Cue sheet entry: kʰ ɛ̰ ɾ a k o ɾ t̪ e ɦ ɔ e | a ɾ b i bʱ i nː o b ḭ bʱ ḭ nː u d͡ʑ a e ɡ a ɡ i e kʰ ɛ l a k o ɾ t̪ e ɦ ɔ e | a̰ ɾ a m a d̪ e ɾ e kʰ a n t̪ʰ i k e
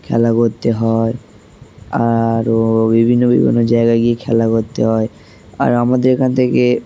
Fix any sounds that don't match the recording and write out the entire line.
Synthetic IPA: kʰ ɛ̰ l a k o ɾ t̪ e ɦ ɔ e | a ɾ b i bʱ i nː o b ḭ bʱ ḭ nː o d͡ʑ a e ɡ a ɡ i e kʰ ɛ l a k o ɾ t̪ e ɦ ɔ e | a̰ ɾ a m a d̪ e ɾ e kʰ a n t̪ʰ e k e